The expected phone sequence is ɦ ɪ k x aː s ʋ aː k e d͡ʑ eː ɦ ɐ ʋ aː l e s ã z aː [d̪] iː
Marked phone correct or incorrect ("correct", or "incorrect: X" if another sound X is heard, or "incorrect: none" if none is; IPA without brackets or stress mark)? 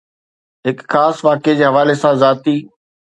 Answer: incorrect: t̪